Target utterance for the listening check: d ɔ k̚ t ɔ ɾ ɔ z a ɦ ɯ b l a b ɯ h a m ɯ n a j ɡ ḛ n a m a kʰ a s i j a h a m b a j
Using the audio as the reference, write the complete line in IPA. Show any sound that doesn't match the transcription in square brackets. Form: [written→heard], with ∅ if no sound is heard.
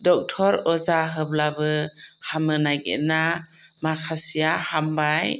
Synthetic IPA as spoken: d ɔ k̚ [t→tʰ] ɔ ɾ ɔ z a ɦ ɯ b l a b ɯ h a m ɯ n a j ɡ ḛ n a m a kʰ a s i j a h a m b a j